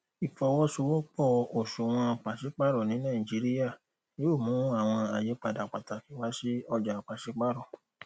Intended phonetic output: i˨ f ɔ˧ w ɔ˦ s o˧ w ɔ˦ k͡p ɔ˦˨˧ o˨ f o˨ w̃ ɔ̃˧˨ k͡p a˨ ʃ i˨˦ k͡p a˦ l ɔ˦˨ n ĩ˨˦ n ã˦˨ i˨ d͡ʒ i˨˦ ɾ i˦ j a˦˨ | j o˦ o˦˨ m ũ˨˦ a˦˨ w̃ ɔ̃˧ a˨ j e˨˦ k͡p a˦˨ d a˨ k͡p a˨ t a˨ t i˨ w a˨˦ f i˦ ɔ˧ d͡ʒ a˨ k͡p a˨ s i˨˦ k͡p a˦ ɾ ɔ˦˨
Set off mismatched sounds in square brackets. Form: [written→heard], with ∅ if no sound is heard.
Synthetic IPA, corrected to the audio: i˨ f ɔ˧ w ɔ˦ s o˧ w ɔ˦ k͡p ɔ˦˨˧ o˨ [f→ʃ] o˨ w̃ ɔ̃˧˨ k͡p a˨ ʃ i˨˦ k͡p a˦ [l→ɾ] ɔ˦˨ n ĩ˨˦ n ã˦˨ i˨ d͡ʒ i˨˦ ɾ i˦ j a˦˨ | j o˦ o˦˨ m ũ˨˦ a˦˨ w̃ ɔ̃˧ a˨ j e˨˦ k͡p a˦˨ d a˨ k͡p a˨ t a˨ [t→k] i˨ w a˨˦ [f→s] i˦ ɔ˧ d͡ʒ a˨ k͡p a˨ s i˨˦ k͡p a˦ ɾ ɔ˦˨